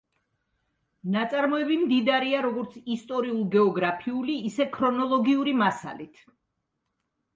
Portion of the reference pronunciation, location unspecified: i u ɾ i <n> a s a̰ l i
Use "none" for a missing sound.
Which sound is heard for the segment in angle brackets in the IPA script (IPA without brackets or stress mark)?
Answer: m